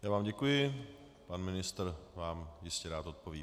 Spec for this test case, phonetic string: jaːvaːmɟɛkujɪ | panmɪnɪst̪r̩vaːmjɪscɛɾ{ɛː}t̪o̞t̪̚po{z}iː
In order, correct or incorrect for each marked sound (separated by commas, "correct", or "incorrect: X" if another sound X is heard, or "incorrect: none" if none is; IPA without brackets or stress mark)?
incorrect: aː, incorrect: v